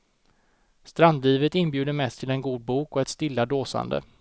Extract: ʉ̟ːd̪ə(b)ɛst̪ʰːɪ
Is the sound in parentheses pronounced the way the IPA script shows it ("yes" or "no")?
no